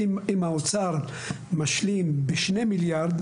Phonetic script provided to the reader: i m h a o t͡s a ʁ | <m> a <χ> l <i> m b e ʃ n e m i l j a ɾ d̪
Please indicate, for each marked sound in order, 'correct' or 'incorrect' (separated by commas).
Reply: correct, incorrect, correct